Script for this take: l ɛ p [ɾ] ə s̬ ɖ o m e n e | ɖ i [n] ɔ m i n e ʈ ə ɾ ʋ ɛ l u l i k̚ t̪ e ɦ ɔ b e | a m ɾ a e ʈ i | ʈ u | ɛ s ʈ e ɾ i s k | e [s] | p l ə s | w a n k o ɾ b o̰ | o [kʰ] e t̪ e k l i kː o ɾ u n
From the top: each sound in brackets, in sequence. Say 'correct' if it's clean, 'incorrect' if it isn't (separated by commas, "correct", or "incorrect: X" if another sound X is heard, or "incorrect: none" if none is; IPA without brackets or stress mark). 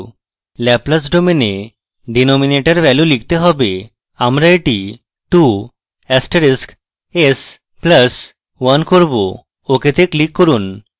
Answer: incorrect: l, correct, correct, incorrect: k